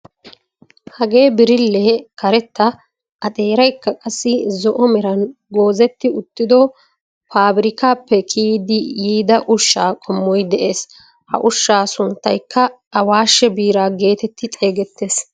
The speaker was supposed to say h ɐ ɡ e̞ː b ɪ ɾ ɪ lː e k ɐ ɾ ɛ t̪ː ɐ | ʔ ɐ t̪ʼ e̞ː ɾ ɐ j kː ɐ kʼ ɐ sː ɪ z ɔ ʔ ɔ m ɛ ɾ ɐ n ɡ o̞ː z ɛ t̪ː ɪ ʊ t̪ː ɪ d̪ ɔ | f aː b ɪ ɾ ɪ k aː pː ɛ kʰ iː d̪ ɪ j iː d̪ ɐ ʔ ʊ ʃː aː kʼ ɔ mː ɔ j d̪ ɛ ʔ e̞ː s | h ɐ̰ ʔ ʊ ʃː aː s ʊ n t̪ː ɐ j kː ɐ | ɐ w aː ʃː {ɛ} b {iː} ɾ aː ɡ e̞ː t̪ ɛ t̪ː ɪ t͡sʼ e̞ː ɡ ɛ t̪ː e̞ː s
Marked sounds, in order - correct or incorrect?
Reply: correct, correct

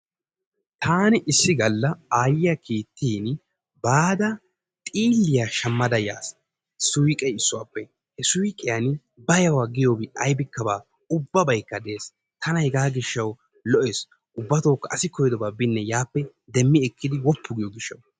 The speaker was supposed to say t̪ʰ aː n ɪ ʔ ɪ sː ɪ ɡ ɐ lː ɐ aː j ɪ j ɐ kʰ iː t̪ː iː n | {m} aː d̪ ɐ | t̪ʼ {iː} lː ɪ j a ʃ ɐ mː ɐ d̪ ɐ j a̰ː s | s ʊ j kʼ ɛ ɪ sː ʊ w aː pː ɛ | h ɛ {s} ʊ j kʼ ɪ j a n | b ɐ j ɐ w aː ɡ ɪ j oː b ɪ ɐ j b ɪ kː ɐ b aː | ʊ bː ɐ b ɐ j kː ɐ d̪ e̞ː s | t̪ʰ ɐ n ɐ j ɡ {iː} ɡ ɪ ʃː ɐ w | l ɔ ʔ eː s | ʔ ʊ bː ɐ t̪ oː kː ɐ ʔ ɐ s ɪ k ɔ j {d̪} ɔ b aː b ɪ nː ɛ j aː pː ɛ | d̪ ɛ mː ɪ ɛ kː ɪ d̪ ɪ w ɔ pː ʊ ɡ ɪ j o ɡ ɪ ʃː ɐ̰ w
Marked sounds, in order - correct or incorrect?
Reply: incorrect: b, correct, correct, incorrect: aː, correct

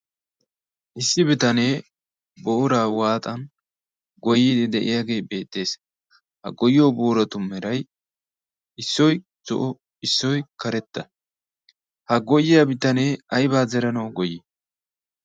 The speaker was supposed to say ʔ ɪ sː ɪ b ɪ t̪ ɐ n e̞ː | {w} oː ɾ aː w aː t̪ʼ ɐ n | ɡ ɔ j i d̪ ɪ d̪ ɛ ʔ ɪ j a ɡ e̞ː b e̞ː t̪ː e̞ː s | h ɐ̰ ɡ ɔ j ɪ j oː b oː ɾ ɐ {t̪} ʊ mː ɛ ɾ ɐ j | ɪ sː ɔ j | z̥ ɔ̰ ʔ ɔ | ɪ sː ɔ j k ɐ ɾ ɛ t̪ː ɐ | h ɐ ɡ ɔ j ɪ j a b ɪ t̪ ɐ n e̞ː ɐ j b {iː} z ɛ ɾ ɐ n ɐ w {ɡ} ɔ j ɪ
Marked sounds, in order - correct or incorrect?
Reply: incorrect: b, correct, incorrect: aː, correct

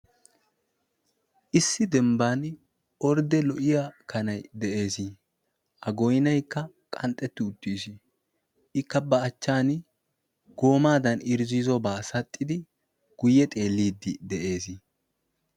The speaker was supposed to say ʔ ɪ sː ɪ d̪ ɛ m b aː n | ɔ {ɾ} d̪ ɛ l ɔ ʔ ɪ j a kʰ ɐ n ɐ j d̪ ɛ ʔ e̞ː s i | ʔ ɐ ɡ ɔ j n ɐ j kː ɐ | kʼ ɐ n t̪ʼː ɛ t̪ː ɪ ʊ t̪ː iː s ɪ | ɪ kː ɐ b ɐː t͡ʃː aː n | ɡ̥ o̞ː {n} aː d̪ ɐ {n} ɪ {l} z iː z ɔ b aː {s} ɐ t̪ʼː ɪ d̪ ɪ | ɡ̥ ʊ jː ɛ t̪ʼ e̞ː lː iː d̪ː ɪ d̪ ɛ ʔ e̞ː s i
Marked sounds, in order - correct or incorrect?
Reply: correct, incorrect: m, correct, incorrect: ɾ, correct

